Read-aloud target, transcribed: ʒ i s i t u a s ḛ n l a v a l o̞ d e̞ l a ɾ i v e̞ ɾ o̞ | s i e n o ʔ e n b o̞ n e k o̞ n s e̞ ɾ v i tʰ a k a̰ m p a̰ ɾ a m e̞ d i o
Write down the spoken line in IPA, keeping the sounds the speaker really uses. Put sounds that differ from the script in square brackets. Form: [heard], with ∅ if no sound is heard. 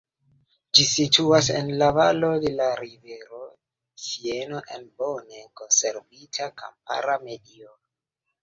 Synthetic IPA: [d͡ʒ] i s i t u a s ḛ n l a v a l o̞ d e̞ l a ɾ i v e̞ ɾ o̞ | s i e n o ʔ e n b o̞ n e k o̞ n s e̞ ɾ v i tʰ a k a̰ m p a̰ ɾ a m e̞ d i o